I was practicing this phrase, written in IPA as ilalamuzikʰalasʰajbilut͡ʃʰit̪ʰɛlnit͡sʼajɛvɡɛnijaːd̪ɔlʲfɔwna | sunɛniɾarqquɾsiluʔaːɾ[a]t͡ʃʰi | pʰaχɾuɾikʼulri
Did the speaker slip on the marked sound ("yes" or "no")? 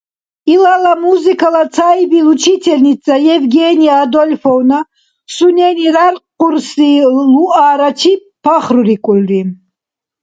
no